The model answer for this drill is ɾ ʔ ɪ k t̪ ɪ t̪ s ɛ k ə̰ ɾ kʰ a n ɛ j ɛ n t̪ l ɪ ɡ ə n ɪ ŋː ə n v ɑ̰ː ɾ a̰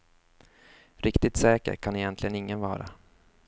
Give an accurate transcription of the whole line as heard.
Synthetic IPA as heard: ɾ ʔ ɪ k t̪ ɪ t̪ s ɛː k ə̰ ɾ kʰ a n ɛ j ɛ n t̪ l ɪ ɡ ə n ɪ ŋː ə n v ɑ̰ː ɾ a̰

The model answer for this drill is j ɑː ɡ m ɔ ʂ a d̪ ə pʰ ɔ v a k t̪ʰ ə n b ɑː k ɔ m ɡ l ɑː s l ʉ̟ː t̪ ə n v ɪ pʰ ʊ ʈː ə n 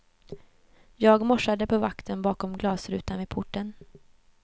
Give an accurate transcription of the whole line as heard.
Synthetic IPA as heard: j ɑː ɡ m ɔ ʂ a d̪ ə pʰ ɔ v a k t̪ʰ ə n b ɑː k ɔ m ɡ l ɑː s ɾ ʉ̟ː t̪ a n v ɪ pʰ ʊ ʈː ə n

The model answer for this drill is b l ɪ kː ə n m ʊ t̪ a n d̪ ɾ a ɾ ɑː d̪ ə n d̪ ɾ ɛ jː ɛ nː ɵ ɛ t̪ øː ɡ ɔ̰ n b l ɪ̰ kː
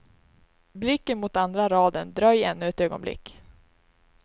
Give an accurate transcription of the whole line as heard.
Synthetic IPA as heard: b l ɪ kː ə n m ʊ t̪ a n d̪ ɾ a ɾ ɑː d̪ ə n d̪ ɾ œ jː ɛ nː ɵ ɛ t̪ øː ɡ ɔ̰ n b l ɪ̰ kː

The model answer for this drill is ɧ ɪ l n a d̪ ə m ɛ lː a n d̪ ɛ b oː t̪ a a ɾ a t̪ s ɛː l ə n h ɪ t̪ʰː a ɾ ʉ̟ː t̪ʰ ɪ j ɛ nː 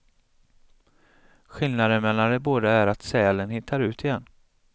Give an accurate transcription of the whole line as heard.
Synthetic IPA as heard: ɧ ɪ l n a d̪ ə m ɛ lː a n d̪ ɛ b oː d̪ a æ ɾ a t̪ s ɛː l ə n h ɪ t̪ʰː a ɾ ʉ̟ː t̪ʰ ɪ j ɛ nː

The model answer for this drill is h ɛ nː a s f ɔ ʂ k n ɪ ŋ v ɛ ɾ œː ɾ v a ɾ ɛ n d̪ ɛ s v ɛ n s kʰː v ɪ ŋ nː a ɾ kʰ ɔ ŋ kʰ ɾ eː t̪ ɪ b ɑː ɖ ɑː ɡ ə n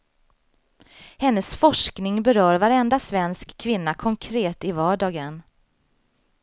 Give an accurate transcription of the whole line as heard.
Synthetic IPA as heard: h ɛ nː ə s f ɔ ʂ k n ɪ ŋ b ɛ ɾ œː ɾ v a ɾ ɛ n d̪ a s v ɛ n s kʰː v ɪ nː a kʰ ɔ ŋ kʰ ɾ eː t̪ ɪ v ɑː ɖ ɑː ɡ ə n

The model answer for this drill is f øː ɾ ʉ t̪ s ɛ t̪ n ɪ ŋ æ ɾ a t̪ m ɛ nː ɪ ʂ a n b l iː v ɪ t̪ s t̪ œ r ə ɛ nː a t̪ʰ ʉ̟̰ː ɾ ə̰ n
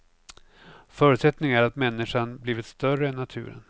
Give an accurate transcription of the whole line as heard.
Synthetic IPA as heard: f œː ɾ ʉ t̪ s ɛ t̪ n ɪ ŋ æ ɾ a t̪ m ɛ nː ɪ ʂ a n b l iː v ɪ t̪ s t̪ œ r ə ɛ nː a t̪ʰ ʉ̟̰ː ɾ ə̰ n

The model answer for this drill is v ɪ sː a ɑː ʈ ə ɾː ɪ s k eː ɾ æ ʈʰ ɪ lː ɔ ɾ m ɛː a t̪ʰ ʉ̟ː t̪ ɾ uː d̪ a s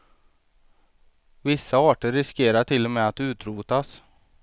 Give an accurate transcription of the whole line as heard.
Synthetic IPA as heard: v ɪ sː a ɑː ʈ ə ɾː ɪ s k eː ɾ a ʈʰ ɪ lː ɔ m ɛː a t̪ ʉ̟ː t̪ ɾ uː t̪ a s

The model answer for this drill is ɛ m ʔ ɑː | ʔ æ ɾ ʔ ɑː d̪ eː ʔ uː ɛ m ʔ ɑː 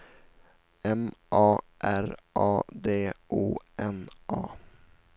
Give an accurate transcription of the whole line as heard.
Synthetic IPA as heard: ɛ m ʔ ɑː | ʔ æ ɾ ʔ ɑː d̪ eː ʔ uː ɛ n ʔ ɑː

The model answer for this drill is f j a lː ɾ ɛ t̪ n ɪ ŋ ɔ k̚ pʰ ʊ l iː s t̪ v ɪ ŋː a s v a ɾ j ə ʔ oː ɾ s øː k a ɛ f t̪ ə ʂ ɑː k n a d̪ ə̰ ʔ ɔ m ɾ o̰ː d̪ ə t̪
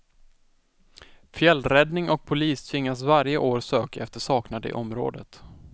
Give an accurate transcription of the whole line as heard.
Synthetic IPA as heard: f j ɛ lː ɾ ɛ d̪ n ɪ ŋ ɔ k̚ pʰ ʊ l iː s t̪ʰ v ɪ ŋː a s v a ɾ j ə ʔ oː ɾ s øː k a ɛ f t̪ ə ʂ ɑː k n a d̪ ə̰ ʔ ɔ m ɾ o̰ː d̪ ə t̪

